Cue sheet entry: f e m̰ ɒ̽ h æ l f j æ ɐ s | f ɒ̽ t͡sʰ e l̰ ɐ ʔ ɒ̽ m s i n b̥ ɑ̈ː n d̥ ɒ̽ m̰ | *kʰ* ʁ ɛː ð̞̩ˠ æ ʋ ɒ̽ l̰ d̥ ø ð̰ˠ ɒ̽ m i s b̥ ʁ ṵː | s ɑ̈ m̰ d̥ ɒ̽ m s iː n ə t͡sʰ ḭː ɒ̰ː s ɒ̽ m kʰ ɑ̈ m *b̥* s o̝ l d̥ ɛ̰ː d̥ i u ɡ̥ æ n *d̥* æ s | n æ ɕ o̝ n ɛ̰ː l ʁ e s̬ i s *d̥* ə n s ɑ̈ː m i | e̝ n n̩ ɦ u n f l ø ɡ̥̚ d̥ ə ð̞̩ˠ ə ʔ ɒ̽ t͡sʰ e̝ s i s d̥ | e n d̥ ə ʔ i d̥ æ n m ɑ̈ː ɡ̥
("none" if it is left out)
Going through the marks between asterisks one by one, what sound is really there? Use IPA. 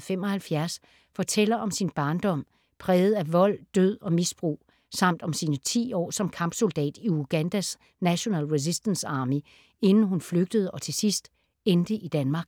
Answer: pʰ, b̥, d̥, d̥

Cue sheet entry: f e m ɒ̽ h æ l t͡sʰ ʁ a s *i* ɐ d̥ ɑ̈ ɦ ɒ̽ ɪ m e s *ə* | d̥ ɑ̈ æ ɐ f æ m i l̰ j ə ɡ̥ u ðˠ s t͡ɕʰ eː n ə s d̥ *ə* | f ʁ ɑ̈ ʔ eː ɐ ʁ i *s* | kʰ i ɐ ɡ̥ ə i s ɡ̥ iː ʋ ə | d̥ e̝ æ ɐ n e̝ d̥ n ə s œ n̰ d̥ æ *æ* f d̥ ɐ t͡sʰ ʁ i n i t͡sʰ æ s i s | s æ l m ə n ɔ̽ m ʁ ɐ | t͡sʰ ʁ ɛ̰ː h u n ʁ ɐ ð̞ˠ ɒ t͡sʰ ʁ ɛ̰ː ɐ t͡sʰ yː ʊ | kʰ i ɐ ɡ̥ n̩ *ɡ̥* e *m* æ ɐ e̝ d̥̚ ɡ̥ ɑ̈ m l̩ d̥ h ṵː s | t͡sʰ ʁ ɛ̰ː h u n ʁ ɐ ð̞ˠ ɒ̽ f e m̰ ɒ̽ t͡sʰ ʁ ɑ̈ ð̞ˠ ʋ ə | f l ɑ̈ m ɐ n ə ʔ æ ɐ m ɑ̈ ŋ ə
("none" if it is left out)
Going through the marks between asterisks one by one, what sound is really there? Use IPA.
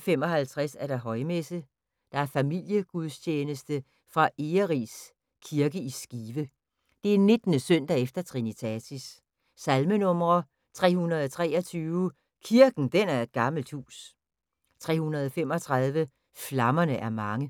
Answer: æ, ə, ə, s, e, d̥, n

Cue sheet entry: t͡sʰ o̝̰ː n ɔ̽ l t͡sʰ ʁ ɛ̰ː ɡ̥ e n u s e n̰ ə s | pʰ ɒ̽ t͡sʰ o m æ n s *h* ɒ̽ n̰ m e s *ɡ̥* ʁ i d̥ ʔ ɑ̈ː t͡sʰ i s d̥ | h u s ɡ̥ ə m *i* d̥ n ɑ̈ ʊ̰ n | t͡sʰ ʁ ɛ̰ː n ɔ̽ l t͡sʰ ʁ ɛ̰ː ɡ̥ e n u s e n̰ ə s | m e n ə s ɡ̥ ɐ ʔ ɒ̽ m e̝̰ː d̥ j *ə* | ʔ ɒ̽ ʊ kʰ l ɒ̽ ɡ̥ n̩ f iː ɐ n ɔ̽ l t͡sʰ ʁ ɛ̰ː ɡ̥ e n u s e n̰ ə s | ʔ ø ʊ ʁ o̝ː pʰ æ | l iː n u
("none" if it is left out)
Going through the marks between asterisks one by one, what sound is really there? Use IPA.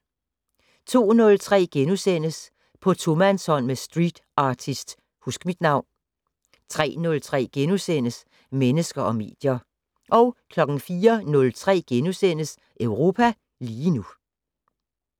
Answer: h, d̥, i, ɐ

